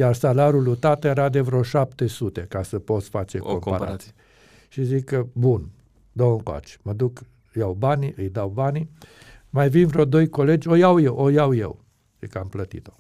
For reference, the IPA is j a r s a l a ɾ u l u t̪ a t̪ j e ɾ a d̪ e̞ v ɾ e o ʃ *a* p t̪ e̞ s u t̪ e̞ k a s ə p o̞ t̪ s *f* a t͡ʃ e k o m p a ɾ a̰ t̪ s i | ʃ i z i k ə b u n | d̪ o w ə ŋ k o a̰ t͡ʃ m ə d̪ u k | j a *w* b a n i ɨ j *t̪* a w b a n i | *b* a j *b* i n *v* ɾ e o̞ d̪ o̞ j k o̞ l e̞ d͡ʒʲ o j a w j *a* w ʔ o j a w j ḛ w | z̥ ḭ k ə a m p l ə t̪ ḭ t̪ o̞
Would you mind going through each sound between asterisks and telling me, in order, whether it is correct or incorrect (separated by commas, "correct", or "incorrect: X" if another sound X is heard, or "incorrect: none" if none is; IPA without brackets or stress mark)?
correct, correct, correct, incorrect: d̪, incorrect: m, incorrect: v, correct, incorrect: e